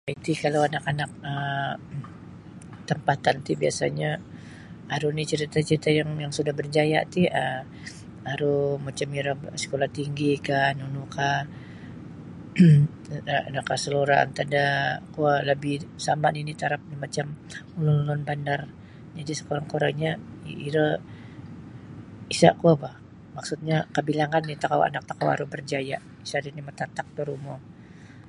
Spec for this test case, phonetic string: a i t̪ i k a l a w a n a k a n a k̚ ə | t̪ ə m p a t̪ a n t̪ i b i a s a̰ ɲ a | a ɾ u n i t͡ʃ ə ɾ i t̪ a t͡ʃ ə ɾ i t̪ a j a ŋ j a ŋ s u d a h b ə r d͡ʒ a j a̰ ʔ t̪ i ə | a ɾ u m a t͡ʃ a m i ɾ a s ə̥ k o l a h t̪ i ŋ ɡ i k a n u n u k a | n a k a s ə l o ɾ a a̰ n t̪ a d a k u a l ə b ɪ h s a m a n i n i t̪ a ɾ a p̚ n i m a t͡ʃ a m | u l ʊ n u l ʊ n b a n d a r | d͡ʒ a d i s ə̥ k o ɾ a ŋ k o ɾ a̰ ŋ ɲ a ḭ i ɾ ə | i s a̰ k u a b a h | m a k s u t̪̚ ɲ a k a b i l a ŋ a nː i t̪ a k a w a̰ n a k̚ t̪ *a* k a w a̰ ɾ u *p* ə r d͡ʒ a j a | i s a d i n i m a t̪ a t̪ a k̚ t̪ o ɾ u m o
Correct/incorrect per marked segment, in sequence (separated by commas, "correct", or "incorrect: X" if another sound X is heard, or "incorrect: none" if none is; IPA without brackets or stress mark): correct, incorrect: b